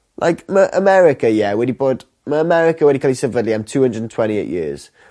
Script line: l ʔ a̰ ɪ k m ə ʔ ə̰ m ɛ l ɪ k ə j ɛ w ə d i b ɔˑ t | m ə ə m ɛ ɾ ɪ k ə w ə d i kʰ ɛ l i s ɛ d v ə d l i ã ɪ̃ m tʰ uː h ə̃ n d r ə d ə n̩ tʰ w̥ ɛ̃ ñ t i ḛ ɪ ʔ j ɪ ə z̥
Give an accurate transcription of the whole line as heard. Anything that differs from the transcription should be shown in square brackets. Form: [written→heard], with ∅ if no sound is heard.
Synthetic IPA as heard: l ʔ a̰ ɪ k m ə ʔ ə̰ m ɛ [l→ɹ] ɪ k ə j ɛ w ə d i b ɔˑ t | m ə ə m ɛ [ɾ→ɹ] ɪ k ə w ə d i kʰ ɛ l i s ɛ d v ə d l i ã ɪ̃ m tʰ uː h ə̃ n d [r→ɹ] ə d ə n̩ tʰ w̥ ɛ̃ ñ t i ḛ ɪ ʔ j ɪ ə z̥